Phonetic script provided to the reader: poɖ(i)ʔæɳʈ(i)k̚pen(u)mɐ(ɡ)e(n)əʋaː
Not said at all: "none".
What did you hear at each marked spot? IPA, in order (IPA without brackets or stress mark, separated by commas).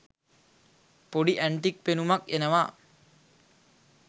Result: i, i, u, k, n